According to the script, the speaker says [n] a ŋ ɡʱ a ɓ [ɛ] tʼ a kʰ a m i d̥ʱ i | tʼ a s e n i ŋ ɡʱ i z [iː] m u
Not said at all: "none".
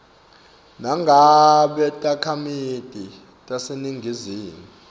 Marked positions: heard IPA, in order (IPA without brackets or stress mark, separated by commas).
n, ɛ, iː